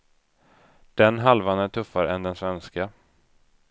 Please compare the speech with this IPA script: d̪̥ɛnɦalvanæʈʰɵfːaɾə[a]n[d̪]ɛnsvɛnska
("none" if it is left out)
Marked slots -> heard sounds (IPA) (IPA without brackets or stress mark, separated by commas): ɛ, d̪